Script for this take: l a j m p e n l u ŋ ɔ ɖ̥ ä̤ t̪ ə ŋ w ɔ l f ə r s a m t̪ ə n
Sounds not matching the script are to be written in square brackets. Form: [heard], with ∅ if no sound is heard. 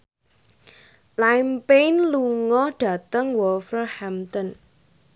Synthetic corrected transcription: l a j m p e n l u ŋ ɔ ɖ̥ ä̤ t̪ ə ŋ w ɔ l f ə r [h] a m t̪ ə n